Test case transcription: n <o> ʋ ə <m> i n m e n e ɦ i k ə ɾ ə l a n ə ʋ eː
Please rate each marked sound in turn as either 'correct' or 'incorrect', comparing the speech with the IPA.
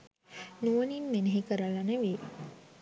incorrect: u, incorrect: n

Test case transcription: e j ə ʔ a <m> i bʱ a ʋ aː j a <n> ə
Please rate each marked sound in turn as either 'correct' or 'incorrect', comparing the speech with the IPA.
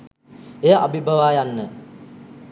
incorrect: b, incorrect: nː

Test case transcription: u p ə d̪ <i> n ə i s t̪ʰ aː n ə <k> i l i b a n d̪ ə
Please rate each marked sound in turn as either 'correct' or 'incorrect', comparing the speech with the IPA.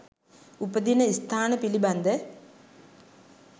correct, incorrect: p

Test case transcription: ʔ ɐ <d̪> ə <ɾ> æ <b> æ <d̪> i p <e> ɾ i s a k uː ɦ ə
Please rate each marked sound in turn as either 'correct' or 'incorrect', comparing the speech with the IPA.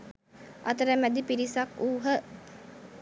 incorrect: t̪, correct, incorrect: m, correct, incorrect: i

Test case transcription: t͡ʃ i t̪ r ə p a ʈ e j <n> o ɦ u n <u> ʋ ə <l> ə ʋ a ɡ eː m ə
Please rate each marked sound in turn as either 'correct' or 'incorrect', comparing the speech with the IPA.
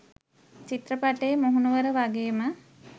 incorrect: m, correct, incorrect: ɾ

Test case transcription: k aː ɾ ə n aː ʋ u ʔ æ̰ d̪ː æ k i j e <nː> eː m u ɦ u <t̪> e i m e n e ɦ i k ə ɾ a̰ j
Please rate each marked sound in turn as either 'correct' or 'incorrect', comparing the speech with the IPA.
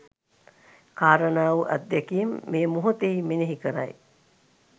incorrect: mː, correct

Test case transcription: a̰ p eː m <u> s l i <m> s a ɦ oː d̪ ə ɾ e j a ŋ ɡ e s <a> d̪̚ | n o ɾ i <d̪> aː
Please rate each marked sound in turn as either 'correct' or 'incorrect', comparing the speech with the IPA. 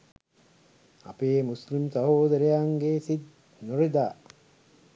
correct, correct, incorrect: i, correct

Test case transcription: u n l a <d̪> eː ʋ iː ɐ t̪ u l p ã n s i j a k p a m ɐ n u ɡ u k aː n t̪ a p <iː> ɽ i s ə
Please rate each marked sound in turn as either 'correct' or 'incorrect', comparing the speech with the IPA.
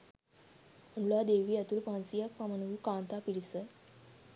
correct, incorrect: i

